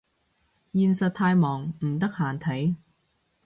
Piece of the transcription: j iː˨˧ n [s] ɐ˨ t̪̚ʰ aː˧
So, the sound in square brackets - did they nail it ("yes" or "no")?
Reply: yes